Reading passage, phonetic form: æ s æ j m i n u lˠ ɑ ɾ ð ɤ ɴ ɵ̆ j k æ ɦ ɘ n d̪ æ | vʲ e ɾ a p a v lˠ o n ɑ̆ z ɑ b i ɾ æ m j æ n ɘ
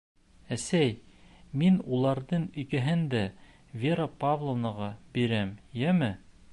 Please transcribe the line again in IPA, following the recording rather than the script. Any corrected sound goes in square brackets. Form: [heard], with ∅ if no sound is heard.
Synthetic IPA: æ s æ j m i n u lˠ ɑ ɾ ð ɤ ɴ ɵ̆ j k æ ɦ ɘ n d̪ æ | vʲ e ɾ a p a v lˠ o n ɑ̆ [ʁ] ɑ b i ɾ æ m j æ [m] ɘ